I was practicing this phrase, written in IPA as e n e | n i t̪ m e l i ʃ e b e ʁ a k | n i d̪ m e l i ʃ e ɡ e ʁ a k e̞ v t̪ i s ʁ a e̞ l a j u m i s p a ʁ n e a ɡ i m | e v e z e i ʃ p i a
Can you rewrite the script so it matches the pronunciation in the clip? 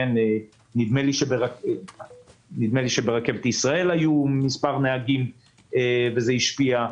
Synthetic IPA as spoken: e n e | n i d̪ m e l i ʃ e b e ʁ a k | n i d̪ m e l i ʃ e b e ʁ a k e̞ v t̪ i s ʁ a e̞ l a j u m i s p a ʁ n e a ɡ i m | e v e z e i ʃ p i a